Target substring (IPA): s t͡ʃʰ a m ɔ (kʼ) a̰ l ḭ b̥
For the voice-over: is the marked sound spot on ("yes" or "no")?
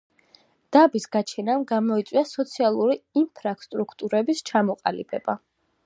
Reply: no